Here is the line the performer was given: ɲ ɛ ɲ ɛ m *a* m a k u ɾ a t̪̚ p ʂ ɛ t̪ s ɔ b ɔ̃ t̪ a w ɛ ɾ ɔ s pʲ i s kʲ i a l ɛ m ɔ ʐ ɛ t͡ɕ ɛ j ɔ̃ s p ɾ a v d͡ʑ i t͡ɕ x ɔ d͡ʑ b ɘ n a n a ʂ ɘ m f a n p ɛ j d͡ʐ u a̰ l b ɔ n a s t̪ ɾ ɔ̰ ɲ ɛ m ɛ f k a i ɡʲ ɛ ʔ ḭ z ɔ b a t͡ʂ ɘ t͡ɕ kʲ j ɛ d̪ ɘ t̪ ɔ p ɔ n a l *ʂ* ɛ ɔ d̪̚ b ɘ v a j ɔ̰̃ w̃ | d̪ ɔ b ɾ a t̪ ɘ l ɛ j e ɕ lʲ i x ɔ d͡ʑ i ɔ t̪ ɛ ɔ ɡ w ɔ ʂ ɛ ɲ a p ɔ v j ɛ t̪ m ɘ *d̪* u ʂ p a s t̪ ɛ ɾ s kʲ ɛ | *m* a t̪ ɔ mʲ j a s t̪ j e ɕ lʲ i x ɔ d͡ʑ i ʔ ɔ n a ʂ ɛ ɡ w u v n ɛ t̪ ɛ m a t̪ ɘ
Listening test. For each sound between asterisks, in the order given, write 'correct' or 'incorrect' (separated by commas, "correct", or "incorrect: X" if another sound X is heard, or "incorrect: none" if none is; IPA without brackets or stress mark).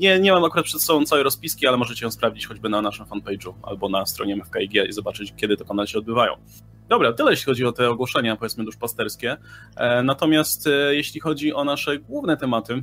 correct, incorrect: ɕ, correct, incorrect: n